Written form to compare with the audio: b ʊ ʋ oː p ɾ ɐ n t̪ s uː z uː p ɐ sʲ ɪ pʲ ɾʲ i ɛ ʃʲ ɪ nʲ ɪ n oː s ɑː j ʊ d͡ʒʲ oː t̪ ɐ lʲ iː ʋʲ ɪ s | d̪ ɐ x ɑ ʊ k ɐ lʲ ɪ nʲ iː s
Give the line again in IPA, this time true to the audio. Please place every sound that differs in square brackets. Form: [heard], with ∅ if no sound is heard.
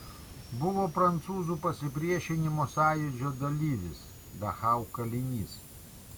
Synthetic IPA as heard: b ʊ ʋ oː p ɾ ɐ n t̪ s uː z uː p ɐ sʲ ɪ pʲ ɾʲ i ɛ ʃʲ ɪ nʲ ɪ [m] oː s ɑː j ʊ d͡ʒʲ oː [d̪] ɐ lʲ iː ʋʲ ɪ s | d̪ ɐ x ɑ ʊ k ɐ lʲ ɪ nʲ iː s